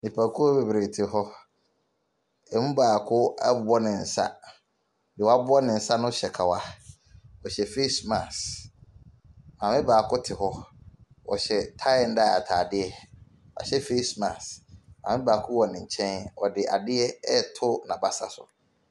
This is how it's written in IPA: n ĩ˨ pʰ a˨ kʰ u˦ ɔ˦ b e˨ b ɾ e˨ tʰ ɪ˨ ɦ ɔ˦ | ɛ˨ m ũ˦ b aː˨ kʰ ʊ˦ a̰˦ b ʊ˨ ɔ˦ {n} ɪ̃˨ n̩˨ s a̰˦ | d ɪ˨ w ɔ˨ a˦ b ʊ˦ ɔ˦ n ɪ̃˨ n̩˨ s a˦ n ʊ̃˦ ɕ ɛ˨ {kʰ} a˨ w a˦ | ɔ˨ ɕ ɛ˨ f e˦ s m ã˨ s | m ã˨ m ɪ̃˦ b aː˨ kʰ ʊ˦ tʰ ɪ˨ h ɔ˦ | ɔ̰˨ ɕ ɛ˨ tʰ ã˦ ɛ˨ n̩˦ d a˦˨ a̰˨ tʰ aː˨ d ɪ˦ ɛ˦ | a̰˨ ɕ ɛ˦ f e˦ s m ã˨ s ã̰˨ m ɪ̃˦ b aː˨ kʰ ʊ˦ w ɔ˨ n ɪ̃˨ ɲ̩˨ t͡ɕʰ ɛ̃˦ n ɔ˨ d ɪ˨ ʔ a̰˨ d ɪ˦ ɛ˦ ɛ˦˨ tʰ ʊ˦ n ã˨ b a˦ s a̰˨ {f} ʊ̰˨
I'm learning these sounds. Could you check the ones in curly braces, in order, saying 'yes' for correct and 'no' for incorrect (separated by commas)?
yes, yes, no